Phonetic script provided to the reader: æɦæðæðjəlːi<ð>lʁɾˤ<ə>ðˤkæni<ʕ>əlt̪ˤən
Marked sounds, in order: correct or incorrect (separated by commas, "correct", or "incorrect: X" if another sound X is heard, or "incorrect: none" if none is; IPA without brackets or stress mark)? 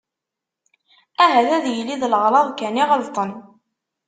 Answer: correct, incorrect: ɑ, incorrect: ʁ